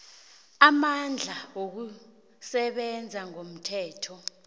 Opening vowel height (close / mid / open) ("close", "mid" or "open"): open